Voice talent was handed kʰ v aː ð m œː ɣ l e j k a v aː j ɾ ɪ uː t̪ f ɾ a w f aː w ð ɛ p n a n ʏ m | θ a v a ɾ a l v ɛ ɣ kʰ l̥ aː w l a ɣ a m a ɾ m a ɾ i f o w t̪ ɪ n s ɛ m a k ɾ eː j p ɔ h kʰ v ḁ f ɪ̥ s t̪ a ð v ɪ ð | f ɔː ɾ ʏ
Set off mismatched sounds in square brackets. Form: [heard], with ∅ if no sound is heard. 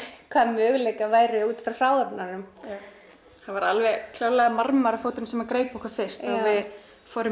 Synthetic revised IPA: kʰ v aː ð m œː ɣ l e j k a v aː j ɾ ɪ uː t̪ f ɾ a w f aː w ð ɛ p n a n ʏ m | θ a v a ɾ a l v ɛ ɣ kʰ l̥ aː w l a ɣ a m a ɾ m a ɾ [a] f o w t̪ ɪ n s ɛ m a k ɾ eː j p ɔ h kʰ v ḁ f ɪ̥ s t̪ a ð v ɪ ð | f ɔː ɾ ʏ